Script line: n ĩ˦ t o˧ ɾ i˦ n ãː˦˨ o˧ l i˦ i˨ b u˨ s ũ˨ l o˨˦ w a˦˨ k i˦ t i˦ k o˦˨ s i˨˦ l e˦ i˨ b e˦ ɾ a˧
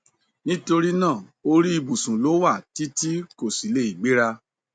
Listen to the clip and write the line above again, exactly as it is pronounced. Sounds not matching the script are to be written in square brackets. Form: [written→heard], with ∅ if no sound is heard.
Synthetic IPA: n ĩ˦ t o˧ ɾ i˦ n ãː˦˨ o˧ [l→ɾ] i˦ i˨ b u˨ s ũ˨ l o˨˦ w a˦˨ [k→t] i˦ t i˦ k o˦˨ s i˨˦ l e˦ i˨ [b→ɡ͡b] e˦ ɾ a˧